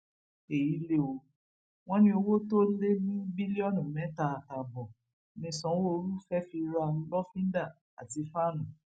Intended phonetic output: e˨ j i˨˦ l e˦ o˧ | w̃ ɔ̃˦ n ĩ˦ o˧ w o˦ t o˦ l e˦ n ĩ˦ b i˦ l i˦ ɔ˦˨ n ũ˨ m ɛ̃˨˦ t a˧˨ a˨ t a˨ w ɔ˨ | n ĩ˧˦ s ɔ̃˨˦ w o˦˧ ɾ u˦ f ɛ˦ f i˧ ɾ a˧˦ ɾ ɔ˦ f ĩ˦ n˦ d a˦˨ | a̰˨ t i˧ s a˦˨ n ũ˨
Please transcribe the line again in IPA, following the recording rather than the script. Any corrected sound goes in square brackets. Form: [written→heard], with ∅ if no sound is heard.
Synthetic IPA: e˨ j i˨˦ l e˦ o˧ | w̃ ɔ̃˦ n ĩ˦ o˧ w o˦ t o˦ l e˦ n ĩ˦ b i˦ l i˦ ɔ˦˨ n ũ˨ m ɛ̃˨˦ t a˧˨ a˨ t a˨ [w→b] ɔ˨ | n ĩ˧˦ s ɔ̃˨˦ w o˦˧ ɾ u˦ f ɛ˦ f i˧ ɾ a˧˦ [ɾ→l] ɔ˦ f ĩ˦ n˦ d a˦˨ | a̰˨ t i˧ [s→f] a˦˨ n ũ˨